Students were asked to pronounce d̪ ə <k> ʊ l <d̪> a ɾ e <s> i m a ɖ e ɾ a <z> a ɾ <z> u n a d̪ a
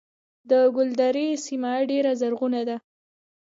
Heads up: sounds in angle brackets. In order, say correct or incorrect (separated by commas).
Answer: incorrect, correct, correct, correct, incorrect